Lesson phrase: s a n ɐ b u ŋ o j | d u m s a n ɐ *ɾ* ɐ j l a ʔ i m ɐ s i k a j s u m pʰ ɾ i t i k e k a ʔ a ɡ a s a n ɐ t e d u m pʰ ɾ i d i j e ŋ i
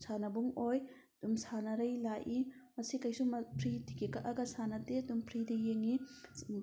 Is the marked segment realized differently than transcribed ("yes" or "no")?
no